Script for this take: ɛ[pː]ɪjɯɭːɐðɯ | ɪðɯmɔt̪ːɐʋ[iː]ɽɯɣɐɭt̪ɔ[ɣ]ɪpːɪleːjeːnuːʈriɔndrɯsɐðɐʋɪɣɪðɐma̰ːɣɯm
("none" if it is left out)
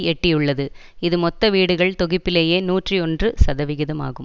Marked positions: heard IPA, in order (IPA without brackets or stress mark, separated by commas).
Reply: ʈː, iː, ɣ